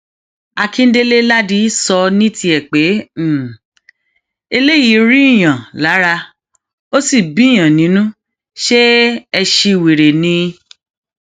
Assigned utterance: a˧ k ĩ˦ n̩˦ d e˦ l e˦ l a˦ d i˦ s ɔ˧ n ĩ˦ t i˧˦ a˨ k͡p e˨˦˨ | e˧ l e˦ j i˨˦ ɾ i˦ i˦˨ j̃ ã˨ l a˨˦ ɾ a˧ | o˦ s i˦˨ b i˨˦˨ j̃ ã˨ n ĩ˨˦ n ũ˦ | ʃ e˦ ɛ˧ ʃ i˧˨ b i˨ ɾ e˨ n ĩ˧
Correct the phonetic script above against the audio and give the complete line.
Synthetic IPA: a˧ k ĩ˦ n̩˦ d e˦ l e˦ l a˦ d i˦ s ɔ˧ n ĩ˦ t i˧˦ ɛ˨ k͡p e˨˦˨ | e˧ l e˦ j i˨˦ ɾ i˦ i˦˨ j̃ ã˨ l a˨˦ ɾ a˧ | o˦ s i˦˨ b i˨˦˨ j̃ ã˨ n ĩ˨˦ n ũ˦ | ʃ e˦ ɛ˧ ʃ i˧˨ w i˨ ɾ e˨ n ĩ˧